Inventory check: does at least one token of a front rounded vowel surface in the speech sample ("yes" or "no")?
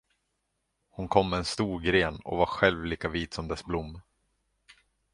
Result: no